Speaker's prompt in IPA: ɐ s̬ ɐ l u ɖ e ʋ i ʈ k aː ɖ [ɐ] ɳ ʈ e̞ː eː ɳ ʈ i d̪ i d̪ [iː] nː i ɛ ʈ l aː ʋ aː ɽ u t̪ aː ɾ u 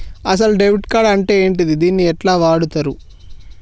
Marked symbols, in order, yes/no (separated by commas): yes, yes